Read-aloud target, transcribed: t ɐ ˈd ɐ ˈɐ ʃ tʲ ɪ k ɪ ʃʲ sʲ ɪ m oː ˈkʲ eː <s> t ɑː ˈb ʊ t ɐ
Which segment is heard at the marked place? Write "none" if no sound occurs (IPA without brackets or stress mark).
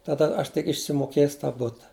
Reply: s